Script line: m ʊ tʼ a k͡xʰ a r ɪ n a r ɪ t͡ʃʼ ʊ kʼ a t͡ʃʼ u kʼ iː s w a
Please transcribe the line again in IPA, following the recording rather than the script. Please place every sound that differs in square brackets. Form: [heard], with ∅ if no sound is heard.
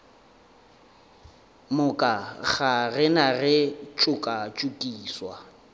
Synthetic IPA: m ʊ [kʼ] a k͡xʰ a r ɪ n a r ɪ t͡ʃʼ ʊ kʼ a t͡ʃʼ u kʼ iː s w a